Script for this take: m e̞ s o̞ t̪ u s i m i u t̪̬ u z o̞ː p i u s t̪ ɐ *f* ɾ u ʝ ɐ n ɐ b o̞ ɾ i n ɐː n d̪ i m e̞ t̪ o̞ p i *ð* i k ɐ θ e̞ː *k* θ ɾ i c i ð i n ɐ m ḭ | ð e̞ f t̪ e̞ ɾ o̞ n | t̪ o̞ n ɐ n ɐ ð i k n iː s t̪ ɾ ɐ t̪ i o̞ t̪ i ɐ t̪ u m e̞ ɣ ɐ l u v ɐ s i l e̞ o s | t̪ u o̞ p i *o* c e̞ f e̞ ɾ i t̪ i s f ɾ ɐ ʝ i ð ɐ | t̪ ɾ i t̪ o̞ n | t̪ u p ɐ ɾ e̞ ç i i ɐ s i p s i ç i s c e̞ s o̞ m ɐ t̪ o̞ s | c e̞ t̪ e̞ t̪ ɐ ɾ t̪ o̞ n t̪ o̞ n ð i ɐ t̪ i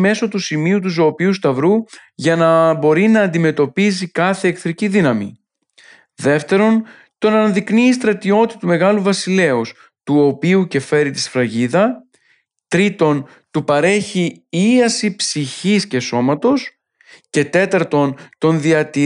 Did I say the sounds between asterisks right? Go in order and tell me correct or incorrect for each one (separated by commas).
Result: incorrect, incorrect, correct, incorrect